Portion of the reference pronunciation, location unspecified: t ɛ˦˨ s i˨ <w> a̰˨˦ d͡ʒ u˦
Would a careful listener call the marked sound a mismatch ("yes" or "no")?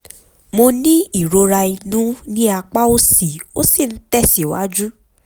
no